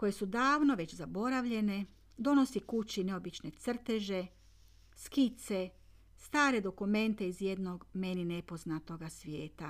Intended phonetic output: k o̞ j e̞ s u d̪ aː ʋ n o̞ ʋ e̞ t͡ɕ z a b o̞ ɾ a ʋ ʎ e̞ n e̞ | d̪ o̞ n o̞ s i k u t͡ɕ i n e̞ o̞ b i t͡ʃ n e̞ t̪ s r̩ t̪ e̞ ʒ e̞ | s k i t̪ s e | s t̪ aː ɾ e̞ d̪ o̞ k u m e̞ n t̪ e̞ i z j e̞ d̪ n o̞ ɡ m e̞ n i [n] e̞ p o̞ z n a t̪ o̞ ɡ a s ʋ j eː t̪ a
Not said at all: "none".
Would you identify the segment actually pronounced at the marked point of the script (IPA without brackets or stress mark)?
n